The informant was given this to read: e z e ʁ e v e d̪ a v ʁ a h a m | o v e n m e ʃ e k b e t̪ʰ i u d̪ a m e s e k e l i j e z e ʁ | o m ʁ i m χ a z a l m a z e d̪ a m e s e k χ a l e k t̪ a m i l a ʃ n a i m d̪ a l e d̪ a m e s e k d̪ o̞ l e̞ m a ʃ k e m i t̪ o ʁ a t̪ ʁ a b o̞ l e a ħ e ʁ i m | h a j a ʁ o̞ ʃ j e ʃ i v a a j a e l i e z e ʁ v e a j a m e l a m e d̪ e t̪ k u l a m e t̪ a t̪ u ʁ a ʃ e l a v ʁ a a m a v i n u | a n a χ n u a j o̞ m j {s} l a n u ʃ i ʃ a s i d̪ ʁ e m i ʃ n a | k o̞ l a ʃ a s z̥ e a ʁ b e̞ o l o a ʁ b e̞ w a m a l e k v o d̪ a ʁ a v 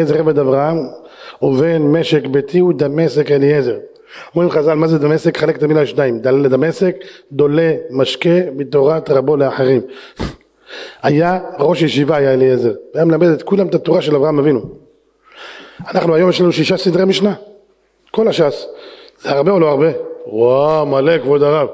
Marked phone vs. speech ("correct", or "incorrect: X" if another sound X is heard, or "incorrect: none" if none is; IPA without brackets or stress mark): incorrect: ʃ